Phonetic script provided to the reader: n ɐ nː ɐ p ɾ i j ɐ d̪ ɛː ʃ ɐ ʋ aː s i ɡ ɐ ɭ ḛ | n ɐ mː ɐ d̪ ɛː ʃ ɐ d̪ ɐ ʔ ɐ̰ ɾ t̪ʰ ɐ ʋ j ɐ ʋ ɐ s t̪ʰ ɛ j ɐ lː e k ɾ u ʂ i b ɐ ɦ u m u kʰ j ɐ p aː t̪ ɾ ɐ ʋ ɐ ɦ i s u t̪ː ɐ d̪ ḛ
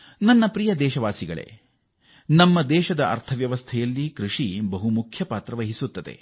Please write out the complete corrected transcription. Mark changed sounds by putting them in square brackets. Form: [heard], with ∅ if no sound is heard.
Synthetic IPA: n ɐ nː ɐ p ɾ i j ɐ d̪ ɛː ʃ ɐ ʋ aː s i ɡ ɐ ɭ ḛ | n ɐ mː ɐ d̪ ɛː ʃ ɐ d̪ ɐ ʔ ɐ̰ ɾ t̪ʰ ɐ ʋ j ɐ ʋ ɐ s t̪ʰ ɛ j ɐ lː [i] k ɾ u ʂ i b ɐ ɦ u m u kʰ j ɐ p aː t̪ ɾ ɐ ʋ ɐ ɦ i s u t̪ː ɐ d̪ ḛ

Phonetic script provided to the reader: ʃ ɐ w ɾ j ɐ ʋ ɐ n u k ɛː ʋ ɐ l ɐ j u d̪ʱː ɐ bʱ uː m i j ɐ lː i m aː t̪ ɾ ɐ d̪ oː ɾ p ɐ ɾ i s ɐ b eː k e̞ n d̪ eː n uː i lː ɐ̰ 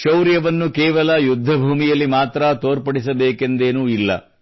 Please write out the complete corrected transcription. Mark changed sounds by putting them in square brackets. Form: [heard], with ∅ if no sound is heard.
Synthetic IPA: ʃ ɐ w ɾ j ɐ ʋ ɐ [nː] u k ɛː ʋ ɐ l ɐ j u d̪ʱː ɐ bʱ uː m i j ɐ lː i m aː t̪ ɾ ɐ [t̪] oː ɾ p ɐ [ɽ] i s ɐ b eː k e̞ n d̪ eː n uː i lː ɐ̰

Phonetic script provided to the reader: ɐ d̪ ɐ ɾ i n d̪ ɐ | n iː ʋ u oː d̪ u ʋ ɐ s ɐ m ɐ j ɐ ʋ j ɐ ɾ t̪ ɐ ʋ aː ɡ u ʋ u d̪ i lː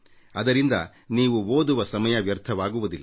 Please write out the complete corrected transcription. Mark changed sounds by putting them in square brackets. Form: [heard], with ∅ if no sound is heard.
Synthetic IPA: ɐ d̪ ɐ ɾ i n d̪ ɐ | n iː ʋ u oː d̪ u ʋ ɐ s ɐ m ɐ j ɐ ʋ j ɐ ɾ [t̪ʰ] ɐ ʋ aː ɡ u ʋ u d̪ i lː

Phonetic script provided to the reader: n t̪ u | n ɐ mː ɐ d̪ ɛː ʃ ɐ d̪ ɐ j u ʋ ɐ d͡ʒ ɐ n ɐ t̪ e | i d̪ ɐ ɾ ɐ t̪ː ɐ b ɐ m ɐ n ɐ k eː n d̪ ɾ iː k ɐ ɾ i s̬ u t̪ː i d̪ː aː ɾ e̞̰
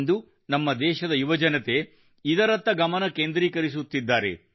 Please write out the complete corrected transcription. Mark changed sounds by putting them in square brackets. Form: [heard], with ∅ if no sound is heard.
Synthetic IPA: n [d̪] u | n ɐ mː ɐ d̪ ɛː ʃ ɐ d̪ ɐ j u ʋ ɐ d͡ʒ ɐ n ɐ t̪ e | i d̪ ɐ ɾ ɐ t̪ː ɐ [ɡ] ɐ m ɐ n ɐ k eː n d̪ ɾ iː k ɐ ɾ i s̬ u t̪ː i d̪ː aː ɾ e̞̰

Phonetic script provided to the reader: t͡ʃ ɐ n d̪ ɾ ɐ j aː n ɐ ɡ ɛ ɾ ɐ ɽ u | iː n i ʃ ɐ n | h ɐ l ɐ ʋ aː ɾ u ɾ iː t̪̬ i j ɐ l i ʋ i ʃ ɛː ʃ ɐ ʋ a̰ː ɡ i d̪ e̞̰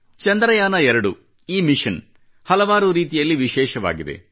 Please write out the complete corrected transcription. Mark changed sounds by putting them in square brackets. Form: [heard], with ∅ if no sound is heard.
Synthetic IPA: t͡ʃ ɐ n d̪ ɾ ɐ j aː n ɐ [∅] ɛ ɾ ɐ ɽ u | iː [m] i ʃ ɐ n | h ɐ l ɐ ʋ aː ɾ u ɾ iː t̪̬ i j ɐ [lː] i ʋ i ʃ ɛː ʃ ɐ ʋ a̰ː ɡ i d̪ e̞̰

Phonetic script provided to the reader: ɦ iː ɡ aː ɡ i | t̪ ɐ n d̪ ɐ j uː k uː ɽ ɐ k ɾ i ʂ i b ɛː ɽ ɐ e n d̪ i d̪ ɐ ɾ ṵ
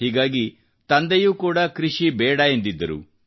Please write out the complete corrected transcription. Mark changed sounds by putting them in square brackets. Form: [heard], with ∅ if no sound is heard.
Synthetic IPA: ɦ iː ɡ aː ɡ i | t̪ ɐ n d̪ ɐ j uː k uː ɽ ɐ k ɾ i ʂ i b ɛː ɽ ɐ e n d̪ i [d̪ː] ɐ ɾ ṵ

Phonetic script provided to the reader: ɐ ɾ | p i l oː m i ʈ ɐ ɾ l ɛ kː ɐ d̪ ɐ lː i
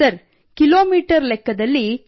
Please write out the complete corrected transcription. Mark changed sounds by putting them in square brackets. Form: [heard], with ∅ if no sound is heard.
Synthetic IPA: ɐ ɾ | [k] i l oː m [iː] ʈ ɐ ɾ l ɛ kː ɐ d̪ ɐ lː i

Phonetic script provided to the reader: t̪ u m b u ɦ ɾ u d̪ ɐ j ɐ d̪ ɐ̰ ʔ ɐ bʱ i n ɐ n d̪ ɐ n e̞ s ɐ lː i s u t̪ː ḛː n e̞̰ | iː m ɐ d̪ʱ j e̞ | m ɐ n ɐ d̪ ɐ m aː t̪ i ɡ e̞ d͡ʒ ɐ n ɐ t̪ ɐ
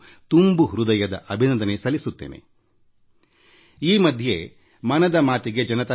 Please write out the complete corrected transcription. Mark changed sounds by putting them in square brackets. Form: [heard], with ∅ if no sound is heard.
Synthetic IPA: t̪ u m b u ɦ ɾ u d̪ ɐ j ɐ d̪ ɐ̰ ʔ ɐ bʱ i n ɐ n d̪ ɐ n e̞ s ɐ [l] i s u t̪ː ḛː n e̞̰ | iː m ɐ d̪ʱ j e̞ | m ɐ n ɐ d̪ ɐ m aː t̪ i ɡ e̞ d͡ʒ ɐ n ɐ t̪ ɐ

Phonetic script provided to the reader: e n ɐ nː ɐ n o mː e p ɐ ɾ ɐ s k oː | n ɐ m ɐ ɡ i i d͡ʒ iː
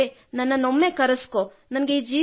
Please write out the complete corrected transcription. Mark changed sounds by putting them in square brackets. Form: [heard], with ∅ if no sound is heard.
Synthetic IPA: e n ɐ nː ɐ n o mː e [k] ɐ ɾ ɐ s k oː | n ɐ [n] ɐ ɡ [e] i d͡ʒ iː

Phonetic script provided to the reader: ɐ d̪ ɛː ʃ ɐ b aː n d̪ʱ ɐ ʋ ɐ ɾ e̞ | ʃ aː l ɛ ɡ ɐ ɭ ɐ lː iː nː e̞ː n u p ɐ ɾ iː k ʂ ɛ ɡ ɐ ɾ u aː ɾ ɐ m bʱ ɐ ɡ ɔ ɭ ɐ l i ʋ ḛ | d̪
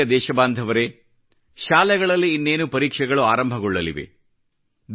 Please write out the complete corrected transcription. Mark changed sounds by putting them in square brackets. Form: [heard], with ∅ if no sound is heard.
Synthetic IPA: ɐ d̪ ɛː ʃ ɐ b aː n d̪ʱ ɐ ʋ ɐ ɾ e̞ | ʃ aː l ɛ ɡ ɐ ɭ ɐ lː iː nː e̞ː n u p ɐ ɾ iː k ʂ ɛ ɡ ɐ [ɭ] u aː ɾ ɐ m bʱ ɐ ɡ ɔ [ɭː] ɐ l i ʋ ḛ | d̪

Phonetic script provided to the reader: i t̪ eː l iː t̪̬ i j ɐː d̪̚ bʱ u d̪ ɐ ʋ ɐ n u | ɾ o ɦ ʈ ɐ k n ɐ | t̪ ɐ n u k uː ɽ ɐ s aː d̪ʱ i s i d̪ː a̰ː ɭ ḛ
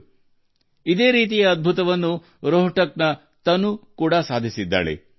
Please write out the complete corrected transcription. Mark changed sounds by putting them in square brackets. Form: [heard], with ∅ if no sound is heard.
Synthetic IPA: i [d̪] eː [ɾ] iː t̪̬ i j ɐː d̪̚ bʱ u [t̪] ɐ ʋ ɐ [nː] u | ɾ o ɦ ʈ ɐ k n ɐ | t̪ ɐ n u k uː ɽ ɐ s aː d̪ʱ i s i d̪ː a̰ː ɭ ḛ

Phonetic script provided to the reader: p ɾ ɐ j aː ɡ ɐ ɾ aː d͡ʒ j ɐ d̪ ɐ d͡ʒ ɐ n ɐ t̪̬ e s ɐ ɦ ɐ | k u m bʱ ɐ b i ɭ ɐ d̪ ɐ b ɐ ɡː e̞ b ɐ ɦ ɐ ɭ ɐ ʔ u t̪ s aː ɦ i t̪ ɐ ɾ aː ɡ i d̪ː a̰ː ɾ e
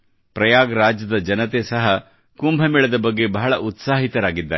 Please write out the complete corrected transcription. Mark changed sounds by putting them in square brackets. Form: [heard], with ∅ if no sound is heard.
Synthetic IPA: p ɾ ɐ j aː ɡ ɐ ɾ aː d͡ʒ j ɐ d̪ ɐ d͡ʒ ɐ n ɐ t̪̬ e s ɐ ɦ ɐ | k u m bʱ ɐ [m] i ɭ ɐ d̪ ɐ b ɐ ɡː e̞ b ɐ ɦ ɐ ɭ ɐ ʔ u t̪ s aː ɦ i t̪ ɐ ɾ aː ɡ i d̪ː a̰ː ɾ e

